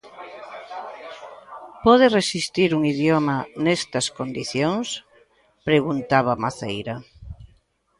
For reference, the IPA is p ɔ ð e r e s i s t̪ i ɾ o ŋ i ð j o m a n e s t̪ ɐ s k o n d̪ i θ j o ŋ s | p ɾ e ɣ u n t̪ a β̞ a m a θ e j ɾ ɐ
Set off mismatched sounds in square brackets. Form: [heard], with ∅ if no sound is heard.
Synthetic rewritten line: p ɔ ð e r e s i s t̪ i ɾ [u] ŋ i ð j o m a n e s t̪ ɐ s k o n d̪ i θ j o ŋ s | p ɾ e ɣ u n t̪ a β̞ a m a θ e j ɾ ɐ